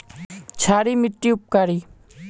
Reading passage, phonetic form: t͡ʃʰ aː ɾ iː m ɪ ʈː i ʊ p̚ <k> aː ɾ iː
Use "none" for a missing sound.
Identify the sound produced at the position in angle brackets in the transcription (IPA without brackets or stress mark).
k